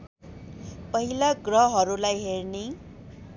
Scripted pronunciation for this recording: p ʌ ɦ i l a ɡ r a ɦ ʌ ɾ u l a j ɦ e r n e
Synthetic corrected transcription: p ʌ ɦ i l a ɡ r ʌ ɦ ʌ ɾ u l a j ɦ e r n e